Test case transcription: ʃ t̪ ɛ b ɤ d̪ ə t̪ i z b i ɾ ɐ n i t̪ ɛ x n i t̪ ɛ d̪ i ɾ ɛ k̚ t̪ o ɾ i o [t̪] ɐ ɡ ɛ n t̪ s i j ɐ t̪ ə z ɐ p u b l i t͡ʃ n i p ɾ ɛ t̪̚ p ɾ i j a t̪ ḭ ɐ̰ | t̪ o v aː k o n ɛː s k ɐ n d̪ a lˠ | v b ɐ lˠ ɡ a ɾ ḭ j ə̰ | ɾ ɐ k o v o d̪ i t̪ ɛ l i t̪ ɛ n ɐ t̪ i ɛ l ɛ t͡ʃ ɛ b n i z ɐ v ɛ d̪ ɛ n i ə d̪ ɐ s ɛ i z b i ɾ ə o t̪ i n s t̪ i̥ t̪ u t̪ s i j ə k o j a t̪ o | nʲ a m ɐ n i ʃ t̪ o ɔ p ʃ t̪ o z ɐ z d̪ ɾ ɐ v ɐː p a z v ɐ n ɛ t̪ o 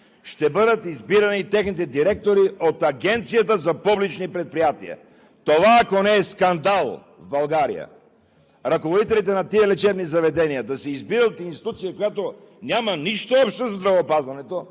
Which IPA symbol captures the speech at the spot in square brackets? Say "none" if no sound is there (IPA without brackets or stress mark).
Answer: t̪